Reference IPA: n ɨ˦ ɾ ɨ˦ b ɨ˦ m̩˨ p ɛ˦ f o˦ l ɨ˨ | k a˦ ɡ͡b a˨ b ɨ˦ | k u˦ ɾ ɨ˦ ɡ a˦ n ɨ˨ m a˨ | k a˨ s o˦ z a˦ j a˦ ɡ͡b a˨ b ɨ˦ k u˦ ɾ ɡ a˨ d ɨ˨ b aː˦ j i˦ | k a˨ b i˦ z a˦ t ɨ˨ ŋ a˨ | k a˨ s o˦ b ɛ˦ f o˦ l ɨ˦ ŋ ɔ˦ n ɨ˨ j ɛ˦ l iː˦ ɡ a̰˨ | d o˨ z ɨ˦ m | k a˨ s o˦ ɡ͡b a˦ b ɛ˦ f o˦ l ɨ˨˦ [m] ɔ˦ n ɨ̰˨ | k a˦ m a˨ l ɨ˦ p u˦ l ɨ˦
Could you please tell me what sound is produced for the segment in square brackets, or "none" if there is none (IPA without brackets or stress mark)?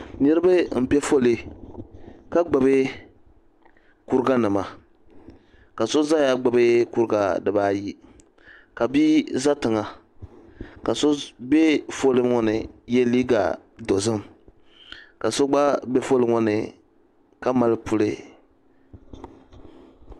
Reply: ŋ